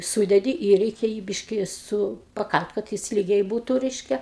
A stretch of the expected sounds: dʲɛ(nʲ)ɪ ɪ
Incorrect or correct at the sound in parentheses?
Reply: incorrect: dʲ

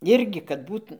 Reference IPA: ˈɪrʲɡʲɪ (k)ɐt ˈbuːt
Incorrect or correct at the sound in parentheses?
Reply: correct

